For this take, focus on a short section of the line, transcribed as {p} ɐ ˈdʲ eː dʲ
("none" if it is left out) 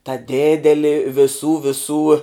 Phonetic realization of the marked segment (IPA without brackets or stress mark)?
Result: t